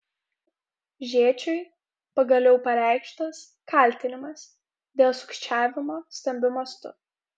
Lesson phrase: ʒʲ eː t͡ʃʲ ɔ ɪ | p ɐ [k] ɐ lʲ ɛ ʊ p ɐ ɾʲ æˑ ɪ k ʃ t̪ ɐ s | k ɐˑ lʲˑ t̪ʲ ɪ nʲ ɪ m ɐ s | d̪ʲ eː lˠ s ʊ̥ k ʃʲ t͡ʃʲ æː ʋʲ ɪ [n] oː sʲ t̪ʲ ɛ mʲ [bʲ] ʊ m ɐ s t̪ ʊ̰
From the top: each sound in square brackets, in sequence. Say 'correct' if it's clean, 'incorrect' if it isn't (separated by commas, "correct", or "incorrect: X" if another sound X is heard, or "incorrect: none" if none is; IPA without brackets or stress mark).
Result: incorrect: ɡ, incorrect: m, correct